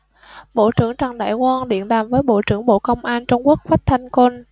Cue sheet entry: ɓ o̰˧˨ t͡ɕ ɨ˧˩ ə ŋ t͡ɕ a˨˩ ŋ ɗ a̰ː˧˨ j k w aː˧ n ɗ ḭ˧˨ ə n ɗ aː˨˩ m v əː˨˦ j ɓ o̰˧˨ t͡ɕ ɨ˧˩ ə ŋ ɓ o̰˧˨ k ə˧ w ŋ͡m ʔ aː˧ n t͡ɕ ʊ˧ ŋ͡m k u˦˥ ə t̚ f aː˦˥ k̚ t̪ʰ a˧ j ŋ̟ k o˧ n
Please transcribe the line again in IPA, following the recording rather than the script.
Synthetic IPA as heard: ɓ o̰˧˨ t͡ɕ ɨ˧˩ ə ŋ t͡ɕ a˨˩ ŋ ɗ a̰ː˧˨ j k w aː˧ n ɗ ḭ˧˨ ə n ɗ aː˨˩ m v əː˨˦ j ɓ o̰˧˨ t͡ɕ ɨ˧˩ ə ŋ ɓ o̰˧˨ k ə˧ w ŋ͡m ʔ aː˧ n t͡ɕ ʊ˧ ŋ͡m k u˦˥ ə k̚ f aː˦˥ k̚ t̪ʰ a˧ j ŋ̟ k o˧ n